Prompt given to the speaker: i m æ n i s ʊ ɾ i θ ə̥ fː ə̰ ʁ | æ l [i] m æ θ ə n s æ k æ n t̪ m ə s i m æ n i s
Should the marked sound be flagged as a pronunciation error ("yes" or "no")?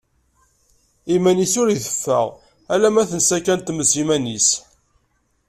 yes